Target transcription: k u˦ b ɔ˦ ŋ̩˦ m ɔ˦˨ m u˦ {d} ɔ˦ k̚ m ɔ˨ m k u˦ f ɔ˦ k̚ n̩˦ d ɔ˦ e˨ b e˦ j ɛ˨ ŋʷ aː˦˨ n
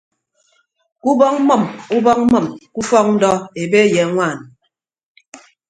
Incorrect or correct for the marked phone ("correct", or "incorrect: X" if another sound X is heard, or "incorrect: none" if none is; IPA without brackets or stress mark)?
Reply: incorrect: b